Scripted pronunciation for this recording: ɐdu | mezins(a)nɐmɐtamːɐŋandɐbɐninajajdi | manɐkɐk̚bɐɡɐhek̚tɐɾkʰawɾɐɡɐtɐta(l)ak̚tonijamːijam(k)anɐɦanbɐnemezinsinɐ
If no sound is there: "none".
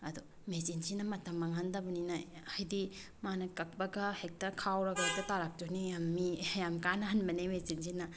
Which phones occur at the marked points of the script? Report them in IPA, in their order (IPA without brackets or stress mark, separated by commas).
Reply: i, ɾ, k